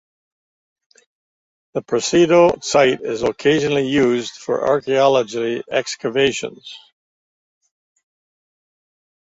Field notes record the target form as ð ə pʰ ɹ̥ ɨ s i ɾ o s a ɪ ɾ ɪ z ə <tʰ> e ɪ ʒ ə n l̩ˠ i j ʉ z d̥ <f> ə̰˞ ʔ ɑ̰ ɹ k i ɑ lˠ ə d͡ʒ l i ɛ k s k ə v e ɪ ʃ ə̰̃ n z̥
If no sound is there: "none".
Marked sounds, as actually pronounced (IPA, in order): kʰ, f

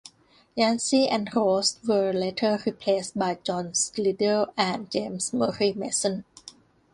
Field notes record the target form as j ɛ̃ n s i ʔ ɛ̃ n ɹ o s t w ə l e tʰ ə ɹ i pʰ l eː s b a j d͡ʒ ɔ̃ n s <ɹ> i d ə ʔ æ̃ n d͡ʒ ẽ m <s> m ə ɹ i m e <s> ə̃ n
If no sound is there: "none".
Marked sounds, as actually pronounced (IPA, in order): l, s, s

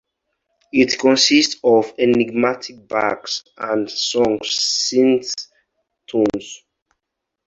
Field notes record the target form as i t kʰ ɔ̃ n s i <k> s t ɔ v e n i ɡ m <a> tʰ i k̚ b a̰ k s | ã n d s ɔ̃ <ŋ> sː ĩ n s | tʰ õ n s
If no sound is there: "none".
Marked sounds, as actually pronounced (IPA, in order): none, a, ŋ

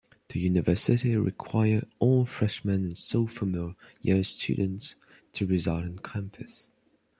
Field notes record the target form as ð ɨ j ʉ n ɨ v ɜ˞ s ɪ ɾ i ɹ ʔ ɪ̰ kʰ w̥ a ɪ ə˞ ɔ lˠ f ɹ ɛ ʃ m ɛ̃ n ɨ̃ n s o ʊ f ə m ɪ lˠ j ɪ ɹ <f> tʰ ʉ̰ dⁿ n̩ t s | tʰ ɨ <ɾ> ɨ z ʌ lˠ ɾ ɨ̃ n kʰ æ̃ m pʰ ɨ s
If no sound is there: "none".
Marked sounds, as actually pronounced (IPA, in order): s, ɹ

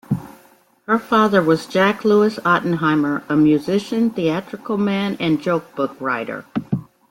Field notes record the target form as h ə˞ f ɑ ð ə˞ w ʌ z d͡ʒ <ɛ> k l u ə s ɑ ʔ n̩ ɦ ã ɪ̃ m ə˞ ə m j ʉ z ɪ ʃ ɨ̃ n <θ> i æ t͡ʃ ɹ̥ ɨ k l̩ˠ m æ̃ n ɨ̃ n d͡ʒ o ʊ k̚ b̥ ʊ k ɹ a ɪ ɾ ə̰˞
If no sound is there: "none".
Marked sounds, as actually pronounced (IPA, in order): æ, θ

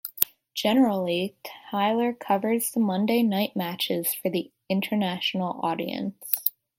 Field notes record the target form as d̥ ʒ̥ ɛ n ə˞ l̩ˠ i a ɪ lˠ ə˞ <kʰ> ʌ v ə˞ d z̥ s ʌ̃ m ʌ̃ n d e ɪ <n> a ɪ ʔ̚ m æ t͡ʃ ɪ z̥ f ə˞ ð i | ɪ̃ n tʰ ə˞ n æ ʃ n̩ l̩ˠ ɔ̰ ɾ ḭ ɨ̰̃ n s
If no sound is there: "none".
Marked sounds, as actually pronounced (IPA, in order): kʰ, n

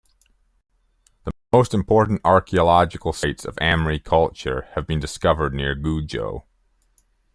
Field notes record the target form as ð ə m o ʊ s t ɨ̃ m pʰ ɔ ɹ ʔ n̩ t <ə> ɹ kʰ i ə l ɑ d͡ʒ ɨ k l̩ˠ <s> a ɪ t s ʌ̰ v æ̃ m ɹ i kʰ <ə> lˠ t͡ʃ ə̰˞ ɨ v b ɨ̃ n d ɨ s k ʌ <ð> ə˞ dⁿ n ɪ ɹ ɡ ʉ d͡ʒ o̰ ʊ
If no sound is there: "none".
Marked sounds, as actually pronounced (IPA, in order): ɑ, s, ʌ, v

